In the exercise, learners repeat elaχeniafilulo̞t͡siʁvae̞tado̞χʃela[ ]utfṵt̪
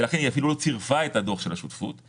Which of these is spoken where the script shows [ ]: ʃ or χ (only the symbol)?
ʃ